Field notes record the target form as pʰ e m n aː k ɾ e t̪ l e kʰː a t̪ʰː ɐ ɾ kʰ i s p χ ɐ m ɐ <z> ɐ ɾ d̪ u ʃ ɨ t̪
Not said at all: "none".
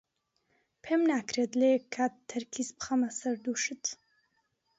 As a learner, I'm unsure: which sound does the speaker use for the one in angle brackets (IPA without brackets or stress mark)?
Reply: s